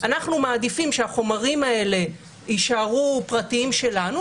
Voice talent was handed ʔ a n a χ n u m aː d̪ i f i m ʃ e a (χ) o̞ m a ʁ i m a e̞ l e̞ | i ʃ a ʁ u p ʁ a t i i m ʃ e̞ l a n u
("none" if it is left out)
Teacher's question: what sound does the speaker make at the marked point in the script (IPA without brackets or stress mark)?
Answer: χ